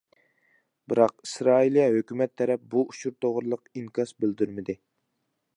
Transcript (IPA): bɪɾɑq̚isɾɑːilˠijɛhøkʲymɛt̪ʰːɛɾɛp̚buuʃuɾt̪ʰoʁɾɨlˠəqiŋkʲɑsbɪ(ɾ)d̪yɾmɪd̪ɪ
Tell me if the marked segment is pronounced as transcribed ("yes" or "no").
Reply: no